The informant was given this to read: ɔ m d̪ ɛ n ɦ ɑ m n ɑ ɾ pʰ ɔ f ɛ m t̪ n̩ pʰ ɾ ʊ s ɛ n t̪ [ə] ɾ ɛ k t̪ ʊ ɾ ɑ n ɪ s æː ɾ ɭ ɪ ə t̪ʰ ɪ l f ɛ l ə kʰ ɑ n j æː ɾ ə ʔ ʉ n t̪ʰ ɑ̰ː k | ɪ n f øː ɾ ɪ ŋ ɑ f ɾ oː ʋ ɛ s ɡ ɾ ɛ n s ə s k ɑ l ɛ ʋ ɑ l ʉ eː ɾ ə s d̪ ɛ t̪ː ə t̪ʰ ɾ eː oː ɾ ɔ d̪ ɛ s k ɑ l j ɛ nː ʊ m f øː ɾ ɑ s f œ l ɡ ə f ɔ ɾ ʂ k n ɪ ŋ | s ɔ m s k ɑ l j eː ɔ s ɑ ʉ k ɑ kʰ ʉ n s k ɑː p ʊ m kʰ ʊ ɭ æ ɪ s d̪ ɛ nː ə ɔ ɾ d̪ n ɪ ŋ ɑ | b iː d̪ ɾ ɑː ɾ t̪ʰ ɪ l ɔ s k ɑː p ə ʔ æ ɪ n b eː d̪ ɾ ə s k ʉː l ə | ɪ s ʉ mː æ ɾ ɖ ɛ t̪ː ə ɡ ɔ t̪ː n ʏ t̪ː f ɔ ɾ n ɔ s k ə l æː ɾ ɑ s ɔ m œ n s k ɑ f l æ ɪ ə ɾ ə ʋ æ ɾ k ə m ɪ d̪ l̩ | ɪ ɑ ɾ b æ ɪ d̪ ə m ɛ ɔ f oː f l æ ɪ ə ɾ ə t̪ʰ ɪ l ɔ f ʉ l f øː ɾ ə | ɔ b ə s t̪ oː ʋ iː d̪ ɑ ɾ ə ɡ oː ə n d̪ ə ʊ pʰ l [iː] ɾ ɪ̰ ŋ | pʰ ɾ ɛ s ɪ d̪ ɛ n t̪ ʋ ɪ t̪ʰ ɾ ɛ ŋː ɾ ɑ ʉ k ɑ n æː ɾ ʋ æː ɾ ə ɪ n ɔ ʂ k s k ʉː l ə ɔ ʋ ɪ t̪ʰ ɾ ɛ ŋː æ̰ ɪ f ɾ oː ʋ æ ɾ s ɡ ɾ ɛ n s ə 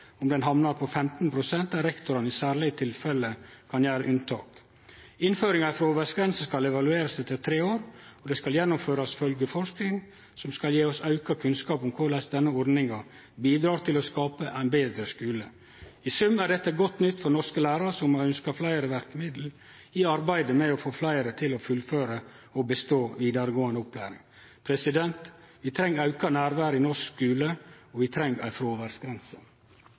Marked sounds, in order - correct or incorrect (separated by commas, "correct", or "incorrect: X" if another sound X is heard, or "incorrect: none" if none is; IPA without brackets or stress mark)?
incorrect: ɑ, incorrect: æː